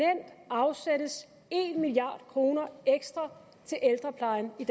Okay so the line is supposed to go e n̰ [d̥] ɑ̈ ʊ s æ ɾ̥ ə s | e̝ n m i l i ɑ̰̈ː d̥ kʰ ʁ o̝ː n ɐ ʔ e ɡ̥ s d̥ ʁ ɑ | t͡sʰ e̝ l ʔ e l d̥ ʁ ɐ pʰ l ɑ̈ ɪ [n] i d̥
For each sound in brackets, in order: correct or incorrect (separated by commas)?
correct, correct